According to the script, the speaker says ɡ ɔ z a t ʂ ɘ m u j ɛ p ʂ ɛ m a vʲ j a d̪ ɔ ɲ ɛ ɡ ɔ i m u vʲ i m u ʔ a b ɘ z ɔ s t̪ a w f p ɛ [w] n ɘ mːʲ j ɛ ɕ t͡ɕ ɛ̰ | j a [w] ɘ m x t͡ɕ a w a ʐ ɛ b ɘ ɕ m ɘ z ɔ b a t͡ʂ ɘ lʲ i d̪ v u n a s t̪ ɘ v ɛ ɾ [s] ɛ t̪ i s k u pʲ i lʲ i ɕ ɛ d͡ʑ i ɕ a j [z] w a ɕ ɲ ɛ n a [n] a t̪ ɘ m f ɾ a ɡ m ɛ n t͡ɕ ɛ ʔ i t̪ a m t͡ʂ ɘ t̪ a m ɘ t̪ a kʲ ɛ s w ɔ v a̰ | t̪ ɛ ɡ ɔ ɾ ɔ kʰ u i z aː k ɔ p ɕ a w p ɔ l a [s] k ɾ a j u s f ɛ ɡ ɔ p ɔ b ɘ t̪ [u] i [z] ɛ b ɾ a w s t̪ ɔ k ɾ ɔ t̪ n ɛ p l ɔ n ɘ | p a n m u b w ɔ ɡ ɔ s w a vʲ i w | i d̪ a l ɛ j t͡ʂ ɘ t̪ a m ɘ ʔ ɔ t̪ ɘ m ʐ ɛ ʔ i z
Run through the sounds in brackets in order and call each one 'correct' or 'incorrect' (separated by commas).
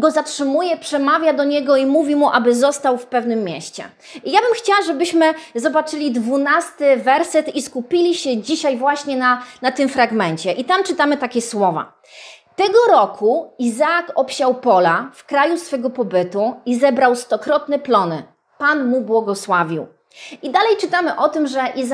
incorrect, incorrect, correct, incorrect, correct, incorrect, correct, correct